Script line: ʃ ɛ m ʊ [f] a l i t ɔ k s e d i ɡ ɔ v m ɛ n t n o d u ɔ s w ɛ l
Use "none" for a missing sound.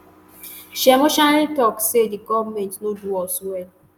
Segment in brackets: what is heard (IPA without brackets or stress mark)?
ʃ